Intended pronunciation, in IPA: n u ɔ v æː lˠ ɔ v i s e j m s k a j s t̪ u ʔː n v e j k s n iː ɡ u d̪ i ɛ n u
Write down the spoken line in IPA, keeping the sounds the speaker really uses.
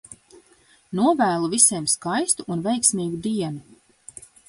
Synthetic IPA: n u ɔ v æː lˠ u v i s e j m s k a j s t̪ u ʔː n v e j k s m iː ɡ u d̪ i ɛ n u

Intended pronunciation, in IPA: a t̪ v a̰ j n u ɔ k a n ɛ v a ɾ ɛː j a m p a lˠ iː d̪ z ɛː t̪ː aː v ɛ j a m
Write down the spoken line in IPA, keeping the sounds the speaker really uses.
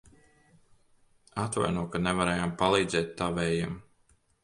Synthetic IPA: a t̪ v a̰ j n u ɔ k a n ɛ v a ɾ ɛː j a m p a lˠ iː d̪ z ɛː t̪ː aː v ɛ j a m

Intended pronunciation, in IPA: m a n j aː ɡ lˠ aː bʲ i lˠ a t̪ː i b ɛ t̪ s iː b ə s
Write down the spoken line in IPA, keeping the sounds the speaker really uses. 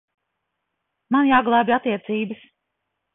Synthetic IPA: m a n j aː ɡ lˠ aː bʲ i a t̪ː i ɛ t̪ s iː b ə s

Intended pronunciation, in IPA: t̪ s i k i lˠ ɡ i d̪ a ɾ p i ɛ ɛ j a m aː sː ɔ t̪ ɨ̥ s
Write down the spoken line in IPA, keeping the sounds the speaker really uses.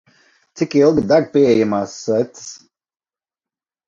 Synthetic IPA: t̪ s i k i lˠ ɡ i d̪ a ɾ p i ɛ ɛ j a m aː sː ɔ t̪ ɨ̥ s

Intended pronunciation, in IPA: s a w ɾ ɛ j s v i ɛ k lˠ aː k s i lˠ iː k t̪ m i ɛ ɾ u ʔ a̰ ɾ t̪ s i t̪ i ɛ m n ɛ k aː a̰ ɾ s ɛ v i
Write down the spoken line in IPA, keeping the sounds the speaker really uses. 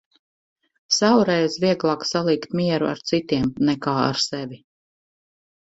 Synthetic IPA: s a w ɾ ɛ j z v i ɛ ɡ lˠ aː k s a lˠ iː k t̪ m i ɛ ɾ u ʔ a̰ ɾ t̪ s i t̪ i ɛ m n ɛ k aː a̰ ɾ s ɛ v i

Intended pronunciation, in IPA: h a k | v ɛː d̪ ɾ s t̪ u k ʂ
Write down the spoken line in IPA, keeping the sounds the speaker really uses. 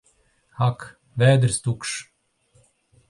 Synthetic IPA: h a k | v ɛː d̪ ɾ s t̪ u k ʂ

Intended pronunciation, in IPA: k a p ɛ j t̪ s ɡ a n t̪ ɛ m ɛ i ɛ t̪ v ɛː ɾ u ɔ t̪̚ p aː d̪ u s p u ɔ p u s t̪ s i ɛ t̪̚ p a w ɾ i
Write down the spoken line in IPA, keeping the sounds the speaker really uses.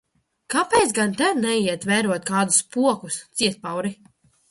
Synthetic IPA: k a p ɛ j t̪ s ɡ a n t̪ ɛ n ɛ i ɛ t̪ v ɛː ɾ u ɔ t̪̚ k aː d̪ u s p u ɔ k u s t̪ s i ɛ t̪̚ p a w ɾ i

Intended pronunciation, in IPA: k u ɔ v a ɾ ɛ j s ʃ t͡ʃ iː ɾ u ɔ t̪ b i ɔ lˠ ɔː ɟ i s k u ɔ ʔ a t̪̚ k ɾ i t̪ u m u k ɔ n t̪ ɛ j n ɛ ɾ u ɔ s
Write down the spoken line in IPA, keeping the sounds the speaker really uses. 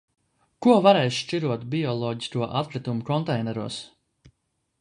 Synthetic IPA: k u ɔ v a ɾ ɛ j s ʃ t͡ʃ i ɾ u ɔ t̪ b i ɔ lˠ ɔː ɟ i s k u ɔ ʔ a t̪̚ k ɾ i t̪ u m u k ɔ n t̪ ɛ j n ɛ ɾ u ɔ s

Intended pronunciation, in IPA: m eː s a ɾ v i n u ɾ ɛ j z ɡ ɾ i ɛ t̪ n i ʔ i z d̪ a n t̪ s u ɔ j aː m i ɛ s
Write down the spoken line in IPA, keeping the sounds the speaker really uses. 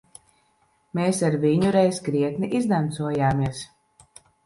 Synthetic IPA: m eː s a ɾ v i ɲ u ɾ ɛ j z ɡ ɾ i ɛ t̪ n i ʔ i z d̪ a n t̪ s u ɔ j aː m i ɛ s

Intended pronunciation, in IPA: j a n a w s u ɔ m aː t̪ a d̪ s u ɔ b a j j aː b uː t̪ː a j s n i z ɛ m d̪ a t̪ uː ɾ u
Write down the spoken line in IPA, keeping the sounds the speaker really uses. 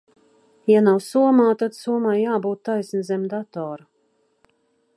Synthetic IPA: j a n a w s u ɔ m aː t̪ a d̪ s u ɔ m a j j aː b uː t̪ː a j s n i z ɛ m d̪ a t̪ ɔː ɾ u

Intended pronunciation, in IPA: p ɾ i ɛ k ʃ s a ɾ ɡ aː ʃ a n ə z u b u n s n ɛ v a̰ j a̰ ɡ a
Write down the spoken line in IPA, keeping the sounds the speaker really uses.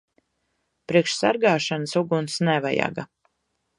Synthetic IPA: p ɾ i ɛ k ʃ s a ɾ ɡ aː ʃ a n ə s u ɡ u n s n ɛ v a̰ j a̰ ɡ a

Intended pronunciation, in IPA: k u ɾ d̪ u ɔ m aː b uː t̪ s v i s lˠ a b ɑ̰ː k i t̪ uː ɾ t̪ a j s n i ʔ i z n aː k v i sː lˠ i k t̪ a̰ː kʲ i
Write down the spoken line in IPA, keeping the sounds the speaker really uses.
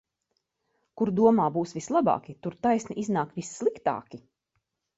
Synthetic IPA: k u ɾ d̪ u ɔ m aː b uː s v i s lˠ a b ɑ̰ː k i t̪ u ɾ t̪ a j s n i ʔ i z n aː k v i sː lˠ i k t̪ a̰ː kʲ i

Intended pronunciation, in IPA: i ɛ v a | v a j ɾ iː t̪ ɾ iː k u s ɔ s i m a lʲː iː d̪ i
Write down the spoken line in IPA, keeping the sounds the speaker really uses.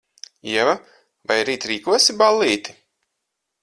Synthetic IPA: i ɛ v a | v a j ɾ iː t̪ ɾ iː k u ɔ s i b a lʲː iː t̪ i

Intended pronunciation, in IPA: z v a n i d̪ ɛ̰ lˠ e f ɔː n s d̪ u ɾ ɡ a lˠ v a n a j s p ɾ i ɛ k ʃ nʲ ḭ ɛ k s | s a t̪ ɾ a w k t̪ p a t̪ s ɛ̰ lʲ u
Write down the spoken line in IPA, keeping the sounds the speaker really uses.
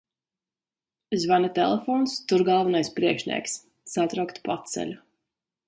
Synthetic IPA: z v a n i t̪ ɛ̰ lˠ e f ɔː n s t̪ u ɾ ɡ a lˠ v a n a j s p ɾ i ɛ k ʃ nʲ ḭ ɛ k s | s a t̪ ɾ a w k t̪ p a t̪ s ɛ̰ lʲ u

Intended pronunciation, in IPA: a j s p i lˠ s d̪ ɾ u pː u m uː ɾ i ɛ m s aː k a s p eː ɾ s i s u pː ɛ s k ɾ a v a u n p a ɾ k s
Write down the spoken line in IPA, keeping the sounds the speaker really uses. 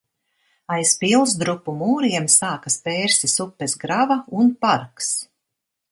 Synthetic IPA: a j s p i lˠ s d̪ ɾ u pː u m uː ɾ i ɛ m s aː k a s p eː ɾ s i s u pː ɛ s ɡ ɾ a v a u n p a ɾ k s

